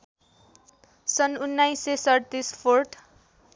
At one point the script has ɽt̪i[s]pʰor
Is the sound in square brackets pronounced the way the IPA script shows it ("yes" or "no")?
yes